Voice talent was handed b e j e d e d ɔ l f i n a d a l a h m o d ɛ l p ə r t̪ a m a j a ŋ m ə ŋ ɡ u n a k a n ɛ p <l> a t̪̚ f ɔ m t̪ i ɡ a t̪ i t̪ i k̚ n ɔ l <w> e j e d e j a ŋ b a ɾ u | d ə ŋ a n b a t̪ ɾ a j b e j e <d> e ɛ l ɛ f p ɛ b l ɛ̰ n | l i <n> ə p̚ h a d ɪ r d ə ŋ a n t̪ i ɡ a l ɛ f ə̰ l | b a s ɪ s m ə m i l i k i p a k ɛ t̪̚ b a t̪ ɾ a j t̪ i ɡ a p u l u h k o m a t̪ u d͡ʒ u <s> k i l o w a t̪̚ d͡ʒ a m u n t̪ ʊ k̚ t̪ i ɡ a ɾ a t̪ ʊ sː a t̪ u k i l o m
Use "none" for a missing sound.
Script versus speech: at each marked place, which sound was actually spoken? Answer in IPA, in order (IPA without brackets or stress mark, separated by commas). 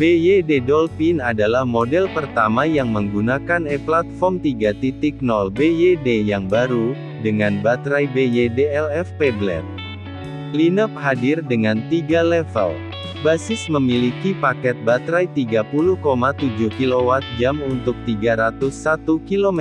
l, b, d, n, h